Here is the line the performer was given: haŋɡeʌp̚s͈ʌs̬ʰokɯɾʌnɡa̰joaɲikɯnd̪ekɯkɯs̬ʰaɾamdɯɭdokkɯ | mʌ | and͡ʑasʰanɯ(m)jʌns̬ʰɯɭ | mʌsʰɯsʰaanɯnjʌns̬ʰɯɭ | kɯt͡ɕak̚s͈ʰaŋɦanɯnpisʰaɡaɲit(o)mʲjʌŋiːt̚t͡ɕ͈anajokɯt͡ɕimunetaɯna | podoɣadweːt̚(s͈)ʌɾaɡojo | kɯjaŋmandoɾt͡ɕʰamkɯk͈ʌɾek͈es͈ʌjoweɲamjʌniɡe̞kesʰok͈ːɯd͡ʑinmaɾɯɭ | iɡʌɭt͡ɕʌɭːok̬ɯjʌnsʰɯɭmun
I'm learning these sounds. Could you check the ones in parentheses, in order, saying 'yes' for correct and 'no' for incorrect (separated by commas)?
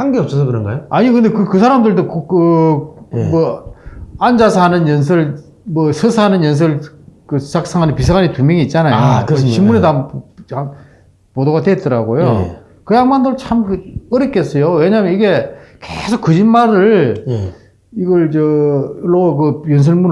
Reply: no, no, no